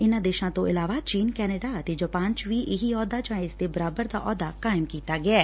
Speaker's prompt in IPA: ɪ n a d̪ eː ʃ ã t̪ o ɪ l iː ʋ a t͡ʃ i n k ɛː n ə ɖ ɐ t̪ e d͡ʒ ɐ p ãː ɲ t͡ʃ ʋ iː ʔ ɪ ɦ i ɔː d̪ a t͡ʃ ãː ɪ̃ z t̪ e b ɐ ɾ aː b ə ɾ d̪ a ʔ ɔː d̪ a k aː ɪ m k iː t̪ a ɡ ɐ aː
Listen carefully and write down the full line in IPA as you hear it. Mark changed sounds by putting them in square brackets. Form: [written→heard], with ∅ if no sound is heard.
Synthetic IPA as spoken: ɪ n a d̪ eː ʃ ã t̪ o ɪ l [iː→aː] ʋ a t͡ʃ [i→iː] n k ɛː n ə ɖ [ɐ→a] t̪ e d͡ʒ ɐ p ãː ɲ t͡ʃ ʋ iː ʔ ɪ ɦ i ɔː d̪ a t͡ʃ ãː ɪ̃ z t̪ e b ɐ ɾ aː b ə ɾ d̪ a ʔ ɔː d̪ a k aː ɪ m k iː t̪ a ɡ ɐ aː